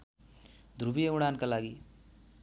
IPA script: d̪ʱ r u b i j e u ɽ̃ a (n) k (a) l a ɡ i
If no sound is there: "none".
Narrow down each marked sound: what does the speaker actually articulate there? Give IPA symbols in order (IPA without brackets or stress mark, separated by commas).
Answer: n, a